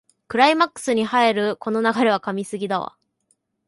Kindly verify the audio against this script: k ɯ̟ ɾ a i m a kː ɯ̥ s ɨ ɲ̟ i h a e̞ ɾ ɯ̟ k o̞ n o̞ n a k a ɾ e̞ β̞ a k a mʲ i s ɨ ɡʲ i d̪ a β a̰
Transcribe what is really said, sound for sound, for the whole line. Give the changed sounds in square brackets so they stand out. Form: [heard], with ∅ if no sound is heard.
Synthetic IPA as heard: k ɯ̟ ɾ a i m a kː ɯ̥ s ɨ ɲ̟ i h a e̞ ɾ ɯ̟ k o̞ n o̞ n a [ɡ] a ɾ e̞ β̞ a k a mʲ i s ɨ ɡʲ i d̪ a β a̰